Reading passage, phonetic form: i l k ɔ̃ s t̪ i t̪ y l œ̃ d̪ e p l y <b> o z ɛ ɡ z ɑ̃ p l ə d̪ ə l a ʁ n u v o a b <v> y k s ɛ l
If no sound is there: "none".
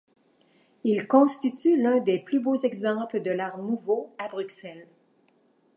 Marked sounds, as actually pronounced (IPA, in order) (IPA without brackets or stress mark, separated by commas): b, ʁ